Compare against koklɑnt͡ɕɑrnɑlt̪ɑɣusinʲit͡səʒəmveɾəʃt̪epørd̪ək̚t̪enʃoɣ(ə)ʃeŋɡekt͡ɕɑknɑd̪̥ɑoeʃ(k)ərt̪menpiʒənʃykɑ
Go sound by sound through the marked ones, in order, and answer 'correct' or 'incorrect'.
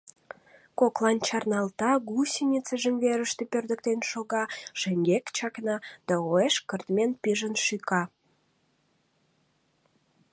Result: incorrect: ɑ, correct

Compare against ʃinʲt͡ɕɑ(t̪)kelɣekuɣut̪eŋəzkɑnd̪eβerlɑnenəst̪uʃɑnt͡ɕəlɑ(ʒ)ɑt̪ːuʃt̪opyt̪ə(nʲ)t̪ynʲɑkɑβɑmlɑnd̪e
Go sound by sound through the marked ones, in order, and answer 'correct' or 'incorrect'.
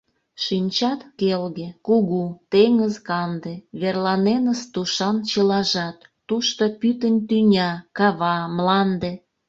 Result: correct, correct, correct

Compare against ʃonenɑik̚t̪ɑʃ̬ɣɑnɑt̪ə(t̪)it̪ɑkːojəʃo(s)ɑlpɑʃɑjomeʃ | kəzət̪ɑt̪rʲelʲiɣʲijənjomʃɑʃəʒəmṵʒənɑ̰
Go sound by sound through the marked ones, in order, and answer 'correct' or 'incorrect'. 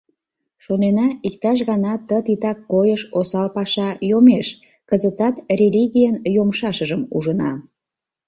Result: correct, correct

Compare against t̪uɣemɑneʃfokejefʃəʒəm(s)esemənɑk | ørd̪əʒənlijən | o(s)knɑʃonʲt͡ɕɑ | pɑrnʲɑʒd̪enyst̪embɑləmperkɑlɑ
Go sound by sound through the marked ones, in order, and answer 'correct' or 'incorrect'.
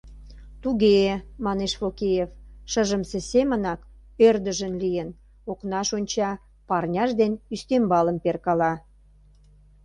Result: correct, incorrect: none

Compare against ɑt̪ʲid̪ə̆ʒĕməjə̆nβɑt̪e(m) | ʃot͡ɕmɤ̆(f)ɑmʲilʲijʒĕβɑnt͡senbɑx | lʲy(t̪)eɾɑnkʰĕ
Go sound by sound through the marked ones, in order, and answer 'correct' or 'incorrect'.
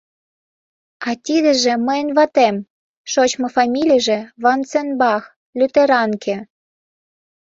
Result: correct, correct, correct

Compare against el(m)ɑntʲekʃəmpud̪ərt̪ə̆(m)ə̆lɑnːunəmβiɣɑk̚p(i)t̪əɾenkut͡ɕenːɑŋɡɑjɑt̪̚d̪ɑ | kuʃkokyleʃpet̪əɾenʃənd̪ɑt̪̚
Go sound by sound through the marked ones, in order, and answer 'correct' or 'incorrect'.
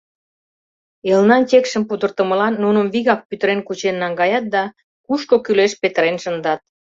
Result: incorrect: n, correct, incorrect: y

